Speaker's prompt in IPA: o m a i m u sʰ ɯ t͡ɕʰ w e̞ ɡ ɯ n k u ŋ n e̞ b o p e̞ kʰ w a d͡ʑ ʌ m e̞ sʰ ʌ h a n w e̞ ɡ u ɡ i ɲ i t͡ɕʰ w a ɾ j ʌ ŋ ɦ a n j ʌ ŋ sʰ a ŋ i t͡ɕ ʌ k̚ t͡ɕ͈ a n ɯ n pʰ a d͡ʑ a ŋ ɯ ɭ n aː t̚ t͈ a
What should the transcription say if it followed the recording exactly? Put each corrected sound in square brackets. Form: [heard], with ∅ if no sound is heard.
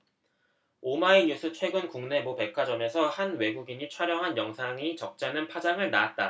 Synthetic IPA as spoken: o m a i [ɲ] u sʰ ɯ t͡ɕʰ w e̞ ɡ ɯ n k u ŋ n e̞ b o p e̞ kʰ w a d͡ʑ ʌ m e̞ sʰ ʌ h a n w e̞ ɡ u ɡ i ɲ i t͡ɕʰ w a ɾ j ʌ ŋ ɦ a n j ʌ ŋ sʰ a ŋ i t͡ɕ ʌ k̚ t͡ɕ͈ a n ɯ n pʰ a d͡ʑ a ŋ ɯ ɭ n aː t̚ t͈ a